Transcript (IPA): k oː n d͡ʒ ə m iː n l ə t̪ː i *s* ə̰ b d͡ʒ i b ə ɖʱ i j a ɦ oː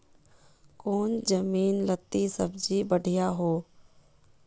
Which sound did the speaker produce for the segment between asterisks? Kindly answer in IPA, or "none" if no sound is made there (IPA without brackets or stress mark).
s